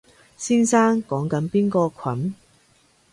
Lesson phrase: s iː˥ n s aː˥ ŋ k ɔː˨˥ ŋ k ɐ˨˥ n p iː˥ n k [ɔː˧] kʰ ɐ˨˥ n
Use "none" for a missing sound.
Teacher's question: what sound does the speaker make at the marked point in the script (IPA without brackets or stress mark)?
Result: ɔː˧